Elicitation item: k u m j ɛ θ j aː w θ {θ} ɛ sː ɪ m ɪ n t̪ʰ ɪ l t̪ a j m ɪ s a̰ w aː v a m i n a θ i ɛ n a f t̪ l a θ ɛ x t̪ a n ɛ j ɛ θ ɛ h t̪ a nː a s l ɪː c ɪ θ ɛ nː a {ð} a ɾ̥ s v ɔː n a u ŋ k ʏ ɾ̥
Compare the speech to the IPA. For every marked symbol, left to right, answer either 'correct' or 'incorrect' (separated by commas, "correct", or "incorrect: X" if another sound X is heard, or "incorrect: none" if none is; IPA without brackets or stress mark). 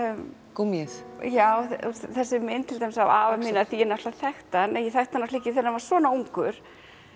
correct, incorrect: v